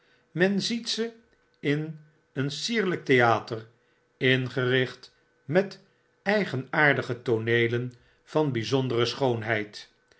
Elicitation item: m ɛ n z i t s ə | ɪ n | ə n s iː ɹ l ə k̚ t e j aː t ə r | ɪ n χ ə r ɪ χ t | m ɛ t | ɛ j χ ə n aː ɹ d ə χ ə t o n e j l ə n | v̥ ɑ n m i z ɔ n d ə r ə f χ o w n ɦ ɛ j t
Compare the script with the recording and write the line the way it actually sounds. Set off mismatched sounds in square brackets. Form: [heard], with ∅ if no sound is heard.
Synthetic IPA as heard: m ɛ n z i t s ə | ɪ n | ə n s iː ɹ l ə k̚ t e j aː t ə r | ɪ n χ ə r ɪ χ t | m ɛ t | ɛ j χ ə n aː ɹ d ə χ ə t o n e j l ə n | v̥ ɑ n [b] i z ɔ n d ə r ə [s] χ o w n ɦ ɛ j t